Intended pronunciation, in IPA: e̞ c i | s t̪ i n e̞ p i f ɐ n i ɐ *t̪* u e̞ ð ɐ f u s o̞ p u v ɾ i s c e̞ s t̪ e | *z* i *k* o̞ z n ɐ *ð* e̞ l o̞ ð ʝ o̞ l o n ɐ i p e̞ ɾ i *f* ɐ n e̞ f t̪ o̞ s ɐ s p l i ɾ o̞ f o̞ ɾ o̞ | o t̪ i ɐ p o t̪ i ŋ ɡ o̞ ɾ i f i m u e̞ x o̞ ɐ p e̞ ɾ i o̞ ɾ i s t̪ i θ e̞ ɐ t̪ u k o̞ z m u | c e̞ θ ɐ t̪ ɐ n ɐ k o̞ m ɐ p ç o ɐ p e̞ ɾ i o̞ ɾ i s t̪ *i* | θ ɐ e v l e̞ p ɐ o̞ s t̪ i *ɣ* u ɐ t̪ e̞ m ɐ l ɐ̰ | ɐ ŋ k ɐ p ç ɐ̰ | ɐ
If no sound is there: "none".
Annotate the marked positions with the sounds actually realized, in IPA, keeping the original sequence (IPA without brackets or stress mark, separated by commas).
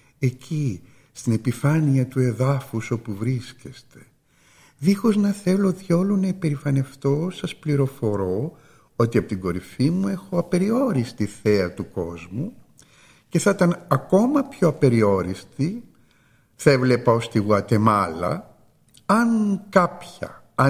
t̪, ð, x, θ, f, i, ɣ